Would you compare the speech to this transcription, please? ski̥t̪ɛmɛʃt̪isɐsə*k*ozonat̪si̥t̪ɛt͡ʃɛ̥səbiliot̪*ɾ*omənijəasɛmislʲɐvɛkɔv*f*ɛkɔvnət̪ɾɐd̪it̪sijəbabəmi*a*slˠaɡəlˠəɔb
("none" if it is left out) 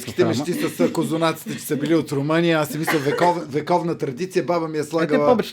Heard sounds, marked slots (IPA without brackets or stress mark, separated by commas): k, ɾ, v, ɛ